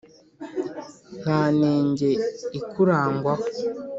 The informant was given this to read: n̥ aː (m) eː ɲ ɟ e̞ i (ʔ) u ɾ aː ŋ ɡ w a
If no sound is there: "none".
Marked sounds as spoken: n, k

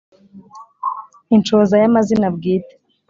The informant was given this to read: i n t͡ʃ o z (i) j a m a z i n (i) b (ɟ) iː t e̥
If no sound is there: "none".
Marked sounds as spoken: a, a, ɡ

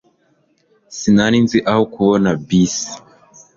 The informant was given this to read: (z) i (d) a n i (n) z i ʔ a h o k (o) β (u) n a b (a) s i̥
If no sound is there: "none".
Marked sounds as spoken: s, n, n, u, o, i

